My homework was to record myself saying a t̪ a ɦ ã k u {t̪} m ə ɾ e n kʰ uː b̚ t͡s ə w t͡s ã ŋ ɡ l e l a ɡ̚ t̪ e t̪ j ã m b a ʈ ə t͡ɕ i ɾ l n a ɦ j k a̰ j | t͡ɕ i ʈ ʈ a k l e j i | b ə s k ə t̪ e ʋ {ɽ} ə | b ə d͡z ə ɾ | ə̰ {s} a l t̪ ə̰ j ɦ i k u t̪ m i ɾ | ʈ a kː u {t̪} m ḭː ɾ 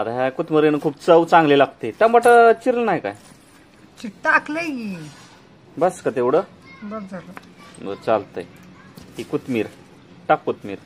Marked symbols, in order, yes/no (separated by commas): yes, yes, no, yes